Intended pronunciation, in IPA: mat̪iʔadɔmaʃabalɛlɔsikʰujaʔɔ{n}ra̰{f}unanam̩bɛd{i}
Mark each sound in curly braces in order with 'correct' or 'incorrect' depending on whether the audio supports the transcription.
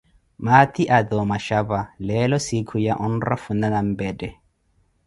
correct, correct, incorrect: ɛ

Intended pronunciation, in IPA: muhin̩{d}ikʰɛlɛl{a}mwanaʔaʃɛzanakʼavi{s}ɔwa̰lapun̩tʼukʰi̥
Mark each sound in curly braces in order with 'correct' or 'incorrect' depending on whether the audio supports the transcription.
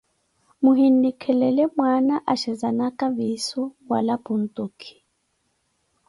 correct, incorrect: ɛ, correct

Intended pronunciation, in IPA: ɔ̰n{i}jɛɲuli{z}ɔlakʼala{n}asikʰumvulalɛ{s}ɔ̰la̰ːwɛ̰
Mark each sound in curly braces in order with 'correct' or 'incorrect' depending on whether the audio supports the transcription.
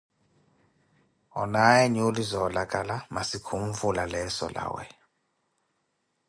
incorrect: a, correct, incorrect: m, correct

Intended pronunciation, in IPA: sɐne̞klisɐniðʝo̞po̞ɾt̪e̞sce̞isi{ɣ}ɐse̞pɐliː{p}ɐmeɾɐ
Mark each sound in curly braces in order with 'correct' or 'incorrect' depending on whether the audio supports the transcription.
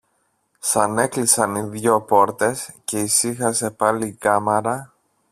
incorrect: x, incorrect: k

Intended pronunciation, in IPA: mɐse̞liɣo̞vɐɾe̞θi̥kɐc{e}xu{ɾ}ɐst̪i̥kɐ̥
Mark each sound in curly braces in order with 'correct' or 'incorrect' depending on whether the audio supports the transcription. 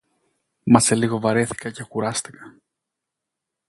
correct, correct

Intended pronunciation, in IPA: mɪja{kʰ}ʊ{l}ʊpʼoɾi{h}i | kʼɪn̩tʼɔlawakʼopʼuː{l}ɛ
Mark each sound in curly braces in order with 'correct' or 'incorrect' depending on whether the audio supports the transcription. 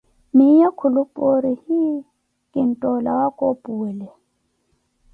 correct, correct, correct, correct

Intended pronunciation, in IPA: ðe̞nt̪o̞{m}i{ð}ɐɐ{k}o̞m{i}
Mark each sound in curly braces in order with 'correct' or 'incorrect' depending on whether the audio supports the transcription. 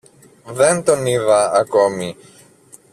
incorrect: n, correct, correct, correct

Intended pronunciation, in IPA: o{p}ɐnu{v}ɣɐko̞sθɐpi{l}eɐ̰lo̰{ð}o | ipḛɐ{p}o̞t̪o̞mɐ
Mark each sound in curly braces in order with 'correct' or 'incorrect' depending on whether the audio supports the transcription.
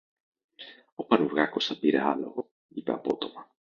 correct, correct, incorrect: ɾ, incorrect: ɣ, correct

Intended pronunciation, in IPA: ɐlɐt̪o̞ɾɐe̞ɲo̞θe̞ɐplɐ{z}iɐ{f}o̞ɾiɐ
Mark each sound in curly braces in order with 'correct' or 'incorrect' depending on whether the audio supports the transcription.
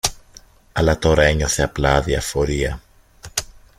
incorrect: ð, correct

